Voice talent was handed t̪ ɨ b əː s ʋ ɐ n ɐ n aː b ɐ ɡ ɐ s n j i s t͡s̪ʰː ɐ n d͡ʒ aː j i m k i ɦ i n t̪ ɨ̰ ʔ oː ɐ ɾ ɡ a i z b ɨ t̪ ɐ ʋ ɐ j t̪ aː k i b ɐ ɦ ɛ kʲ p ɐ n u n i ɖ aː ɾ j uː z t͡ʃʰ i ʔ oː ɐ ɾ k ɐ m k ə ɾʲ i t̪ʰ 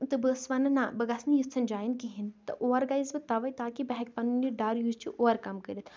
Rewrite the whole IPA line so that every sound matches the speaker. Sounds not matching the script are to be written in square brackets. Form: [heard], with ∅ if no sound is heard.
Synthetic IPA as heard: t̪ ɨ b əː s ʋ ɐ n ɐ n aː b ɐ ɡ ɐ s n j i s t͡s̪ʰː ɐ n d͡ʒ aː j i [n] k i ɦ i n t̪ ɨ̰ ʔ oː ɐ ɾ ɡ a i z b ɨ t̪ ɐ ʋ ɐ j t̪ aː k i b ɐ ɦ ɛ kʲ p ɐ n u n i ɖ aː ɾ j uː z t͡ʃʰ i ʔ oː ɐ ɾ k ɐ m k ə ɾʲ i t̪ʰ